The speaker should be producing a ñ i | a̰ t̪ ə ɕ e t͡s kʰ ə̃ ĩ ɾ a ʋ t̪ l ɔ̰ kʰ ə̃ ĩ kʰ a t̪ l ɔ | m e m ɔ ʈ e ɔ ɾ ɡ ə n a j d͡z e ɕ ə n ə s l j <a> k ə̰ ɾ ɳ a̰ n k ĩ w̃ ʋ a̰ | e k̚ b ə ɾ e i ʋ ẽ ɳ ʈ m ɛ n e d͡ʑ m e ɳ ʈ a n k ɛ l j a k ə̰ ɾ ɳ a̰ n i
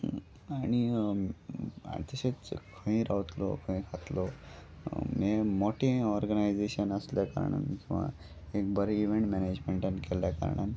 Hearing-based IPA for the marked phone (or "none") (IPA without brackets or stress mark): a